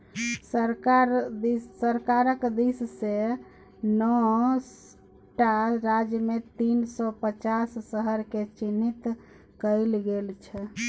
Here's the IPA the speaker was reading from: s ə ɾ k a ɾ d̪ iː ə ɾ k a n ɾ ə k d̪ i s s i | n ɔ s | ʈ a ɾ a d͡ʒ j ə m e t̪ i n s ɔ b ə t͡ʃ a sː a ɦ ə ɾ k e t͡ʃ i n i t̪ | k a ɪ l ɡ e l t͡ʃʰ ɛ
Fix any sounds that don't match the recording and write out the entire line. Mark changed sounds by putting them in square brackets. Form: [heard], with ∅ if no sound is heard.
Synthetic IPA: s ə ɾ k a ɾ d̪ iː ə ɾ k a [∅] ɾ ə k d̪ i s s [e] | n ɔ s | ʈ a ɾ a d͡ʒ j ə m e t̪ i n s ɔ [p] ə t͡ʃ a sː [ə] ɦ ə ɾ k e t͡ʃ i n i t̪ | k [ə] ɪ l ɡ e l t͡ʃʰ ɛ